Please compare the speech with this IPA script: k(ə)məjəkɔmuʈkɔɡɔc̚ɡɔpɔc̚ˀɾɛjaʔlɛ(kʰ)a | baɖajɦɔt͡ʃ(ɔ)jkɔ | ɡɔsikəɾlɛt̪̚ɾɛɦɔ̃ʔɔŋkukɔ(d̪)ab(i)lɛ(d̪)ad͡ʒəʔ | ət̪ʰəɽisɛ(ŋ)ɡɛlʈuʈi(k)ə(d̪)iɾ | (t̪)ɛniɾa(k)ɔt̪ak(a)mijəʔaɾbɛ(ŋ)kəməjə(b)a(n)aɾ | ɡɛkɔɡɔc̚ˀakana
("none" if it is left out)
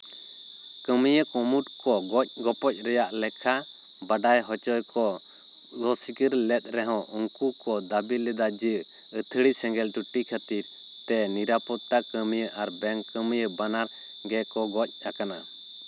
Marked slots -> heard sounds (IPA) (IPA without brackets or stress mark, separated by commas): ə, kʰ, ɔ, d̪, i, d̪, ŋ, kʰ, t̪, t̪, p, ə, ŋ, b, n